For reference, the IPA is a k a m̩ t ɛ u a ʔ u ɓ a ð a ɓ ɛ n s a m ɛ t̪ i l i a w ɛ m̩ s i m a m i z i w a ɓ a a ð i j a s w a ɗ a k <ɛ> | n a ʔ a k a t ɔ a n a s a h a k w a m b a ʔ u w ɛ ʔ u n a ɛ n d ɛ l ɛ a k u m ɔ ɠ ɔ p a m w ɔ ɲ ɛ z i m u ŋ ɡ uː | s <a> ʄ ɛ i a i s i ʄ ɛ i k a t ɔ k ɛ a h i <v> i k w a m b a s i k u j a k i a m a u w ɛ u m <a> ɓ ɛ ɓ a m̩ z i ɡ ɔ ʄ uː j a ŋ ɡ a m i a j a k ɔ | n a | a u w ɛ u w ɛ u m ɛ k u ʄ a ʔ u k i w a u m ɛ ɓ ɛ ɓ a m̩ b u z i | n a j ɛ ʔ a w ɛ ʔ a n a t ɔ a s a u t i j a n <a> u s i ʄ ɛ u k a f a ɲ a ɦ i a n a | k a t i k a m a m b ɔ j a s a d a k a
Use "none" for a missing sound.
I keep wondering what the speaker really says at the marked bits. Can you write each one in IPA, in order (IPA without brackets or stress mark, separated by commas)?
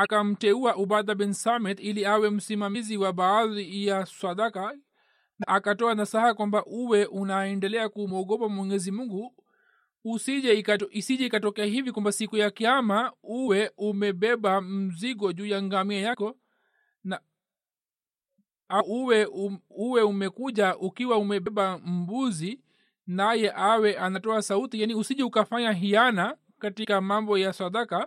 a, i, v, ɛ, i